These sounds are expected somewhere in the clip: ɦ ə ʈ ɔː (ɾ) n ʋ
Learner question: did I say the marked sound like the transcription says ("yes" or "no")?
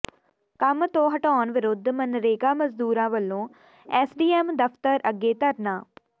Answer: no